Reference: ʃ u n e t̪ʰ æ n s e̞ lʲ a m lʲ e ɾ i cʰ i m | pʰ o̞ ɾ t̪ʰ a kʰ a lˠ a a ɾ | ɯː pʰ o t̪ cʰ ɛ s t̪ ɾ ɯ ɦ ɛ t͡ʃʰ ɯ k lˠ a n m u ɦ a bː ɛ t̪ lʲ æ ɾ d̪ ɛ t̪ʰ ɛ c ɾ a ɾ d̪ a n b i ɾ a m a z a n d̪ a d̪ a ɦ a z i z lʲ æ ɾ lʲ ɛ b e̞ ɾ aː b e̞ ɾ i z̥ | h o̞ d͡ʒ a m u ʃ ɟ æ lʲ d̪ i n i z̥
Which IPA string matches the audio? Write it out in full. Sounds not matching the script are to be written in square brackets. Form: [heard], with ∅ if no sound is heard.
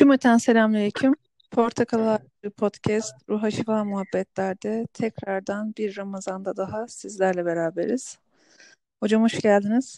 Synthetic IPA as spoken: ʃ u [m] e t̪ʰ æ n s e̞ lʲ a m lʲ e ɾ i cʰ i m | pʰ o̞ ɾ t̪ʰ a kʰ a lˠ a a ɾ | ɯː pʰ o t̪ cʰ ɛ s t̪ ɾ [u] ɦ [a] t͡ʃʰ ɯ k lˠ a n m u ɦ a bː ɛ t̪ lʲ æ ɾ d̪ ɛ t̪ʰ ɛ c ɾ a ɾ d̪ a n b i [ɾː] a m a z a n d̪ a d̪ a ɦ a [s] i z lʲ æ ɾ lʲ ɛ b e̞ ɾ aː b e̞ ɾ i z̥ | h o̞ d͡ʒ a m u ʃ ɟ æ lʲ d̪ i n i z̥